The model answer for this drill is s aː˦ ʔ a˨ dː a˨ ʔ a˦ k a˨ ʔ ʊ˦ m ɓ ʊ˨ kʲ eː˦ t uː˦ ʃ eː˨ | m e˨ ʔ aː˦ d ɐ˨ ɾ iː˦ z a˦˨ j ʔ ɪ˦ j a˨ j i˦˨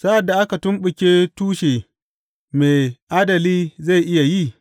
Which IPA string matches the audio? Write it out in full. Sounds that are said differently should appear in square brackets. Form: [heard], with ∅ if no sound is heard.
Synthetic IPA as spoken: s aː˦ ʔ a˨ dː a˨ ʔ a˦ k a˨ [t] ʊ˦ m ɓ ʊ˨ kʲ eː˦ t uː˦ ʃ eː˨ | m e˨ ʔ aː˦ d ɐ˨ [l] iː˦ z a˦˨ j ʔ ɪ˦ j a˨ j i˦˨